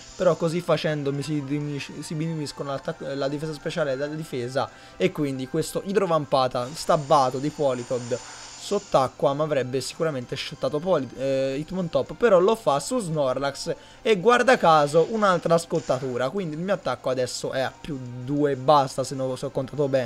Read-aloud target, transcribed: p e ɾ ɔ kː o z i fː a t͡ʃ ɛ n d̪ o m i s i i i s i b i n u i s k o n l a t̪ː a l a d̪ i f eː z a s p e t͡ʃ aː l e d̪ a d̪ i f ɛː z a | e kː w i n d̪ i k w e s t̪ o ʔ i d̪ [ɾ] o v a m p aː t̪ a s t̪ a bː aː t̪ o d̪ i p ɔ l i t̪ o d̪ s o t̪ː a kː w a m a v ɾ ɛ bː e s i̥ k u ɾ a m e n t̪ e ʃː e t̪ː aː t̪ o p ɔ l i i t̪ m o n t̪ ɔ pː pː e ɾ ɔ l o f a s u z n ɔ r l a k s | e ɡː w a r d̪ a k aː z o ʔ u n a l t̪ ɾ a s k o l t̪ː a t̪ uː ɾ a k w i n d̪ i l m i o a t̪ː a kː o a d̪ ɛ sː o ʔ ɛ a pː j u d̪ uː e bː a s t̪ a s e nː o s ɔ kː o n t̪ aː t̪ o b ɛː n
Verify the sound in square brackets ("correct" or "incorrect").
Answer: correct